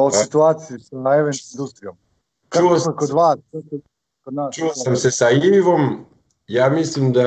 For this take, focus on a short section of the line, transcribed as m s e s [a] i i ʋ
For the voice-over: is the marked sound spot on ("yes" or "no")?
yes